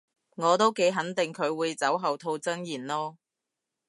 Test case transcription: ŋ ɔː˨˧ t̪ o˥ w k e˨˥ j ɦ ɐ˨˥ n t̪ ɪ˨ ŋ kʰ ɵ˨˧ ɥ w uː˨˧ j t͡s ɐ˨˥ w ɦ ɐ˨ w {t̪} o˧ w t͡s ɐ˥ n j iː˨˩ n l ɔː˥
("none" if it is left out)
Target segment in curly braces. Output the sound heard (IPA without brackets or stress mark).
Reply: t̪ʰ